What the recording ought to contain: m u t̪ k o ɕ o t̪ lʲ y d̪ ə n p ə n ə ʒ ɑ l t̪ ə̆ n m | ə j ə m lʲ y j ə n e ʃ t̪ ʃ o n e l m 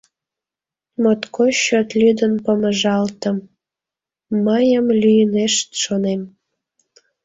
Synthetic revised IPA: m o t̪ k o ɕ o t̪ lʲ y d̪ ə n p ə m ə ʒ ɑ l t̪ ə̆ m | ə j ə m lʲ y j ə n e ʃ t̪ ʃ o n e m